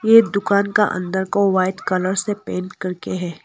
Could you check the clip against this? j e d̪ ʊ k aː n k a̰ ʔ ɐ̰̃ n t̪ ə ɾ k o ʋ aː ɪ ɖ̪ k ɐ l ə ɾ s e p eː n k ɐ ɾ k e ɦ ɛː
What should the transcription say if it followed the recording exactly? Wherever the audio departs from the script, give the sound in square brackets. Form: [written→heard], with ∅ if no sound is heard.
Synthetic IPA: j e d̪ ʊ k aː n k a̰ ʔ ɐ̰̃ n [t̪→d̪] ə ɾ k o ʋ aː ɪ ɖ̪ k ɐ l ə ɾ s e p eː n k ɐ ɾ k e ɦ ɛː